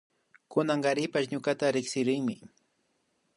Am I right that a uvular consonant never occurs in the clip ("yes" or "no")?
no